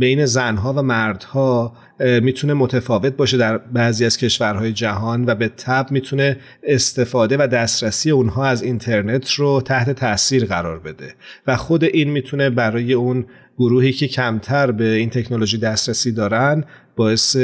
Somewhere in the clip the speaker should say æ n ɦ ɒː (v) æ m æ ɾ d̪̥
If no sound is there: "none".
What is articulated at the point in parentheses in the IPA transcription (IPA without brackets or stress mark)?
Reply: v